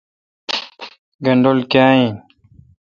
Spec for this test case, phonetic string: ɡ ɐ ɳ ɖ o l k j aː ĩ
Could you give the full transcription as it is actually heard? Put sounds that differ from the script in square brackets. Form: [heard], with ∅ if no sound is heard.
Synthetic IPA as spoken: ɡ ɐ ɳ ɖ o l k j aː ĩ